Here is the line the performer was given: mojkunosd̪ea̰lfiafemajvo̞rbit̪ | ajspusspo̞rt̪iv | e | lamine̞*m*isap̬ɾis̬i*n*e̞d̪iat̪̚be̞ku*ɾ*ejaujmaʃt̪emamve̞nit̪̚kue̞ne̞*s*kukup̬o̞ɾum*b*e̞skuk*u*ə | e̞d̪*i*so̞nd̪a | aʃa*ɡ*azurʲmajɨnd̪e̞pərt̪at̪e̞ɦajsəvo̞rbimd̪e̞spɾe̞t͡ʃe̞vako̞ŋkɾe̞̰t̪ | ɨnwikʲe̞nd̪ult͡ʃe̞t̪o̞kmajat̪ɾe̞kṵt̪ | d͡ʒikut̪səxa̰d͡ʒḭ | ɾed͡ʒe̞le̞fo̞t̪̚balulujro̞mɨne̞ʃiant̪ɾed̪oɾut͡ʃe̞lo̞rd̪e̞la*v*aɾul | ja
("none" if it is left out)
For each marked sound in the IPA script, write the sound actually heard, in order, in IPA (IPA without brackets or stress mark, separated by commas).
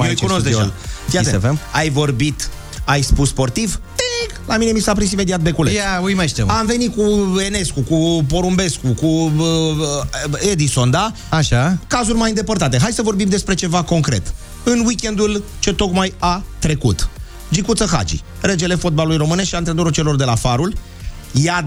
m, m, l, s, b, u, i, k, f